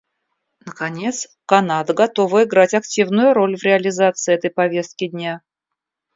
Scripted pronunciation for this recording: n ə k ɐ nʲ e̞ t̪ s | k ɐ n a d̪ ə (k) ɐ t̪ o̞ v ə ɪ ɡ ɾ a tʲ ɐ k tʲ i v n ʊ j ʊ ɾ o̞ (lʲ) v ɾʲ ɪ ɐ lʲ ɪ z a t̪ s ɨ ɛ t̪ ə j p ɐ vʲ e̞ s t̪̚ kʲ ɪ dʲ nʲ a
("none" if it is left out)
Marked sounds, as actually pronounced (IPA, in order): ɡ, lʲ

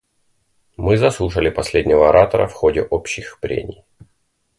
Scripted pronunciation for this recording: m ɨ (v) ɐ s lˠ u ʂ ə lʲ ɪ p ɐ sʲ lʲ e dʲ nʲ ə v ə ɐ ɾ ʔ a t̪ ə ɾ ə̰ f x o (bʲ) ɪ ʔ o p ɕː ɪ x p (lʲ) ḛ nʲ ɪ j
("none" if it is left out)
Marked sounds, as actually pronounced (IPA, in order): z, dʲ, ɾʲ

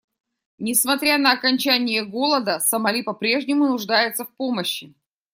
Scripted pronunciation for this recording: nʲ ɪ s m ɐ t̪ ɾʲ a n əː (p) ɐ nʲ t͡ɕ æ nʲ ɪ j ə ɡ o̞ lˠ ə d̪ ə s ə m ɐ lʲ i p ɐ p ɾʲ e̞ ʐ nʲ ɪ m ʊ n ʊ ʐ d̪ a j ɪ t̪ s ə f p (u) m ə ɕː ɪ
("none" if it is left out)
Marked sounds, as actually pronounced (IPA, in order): k, o

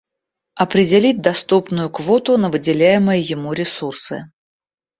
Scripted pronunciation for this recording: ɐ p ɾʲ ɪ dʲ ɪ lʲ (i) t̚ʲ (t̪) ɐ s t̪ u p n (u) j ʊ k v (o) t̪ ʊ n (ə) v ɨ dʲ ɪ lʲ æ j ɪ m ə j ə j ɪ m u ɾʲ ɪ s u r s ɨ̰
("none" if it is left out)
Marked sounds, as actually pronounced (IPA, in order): i, d̪, ʊ, o, ə

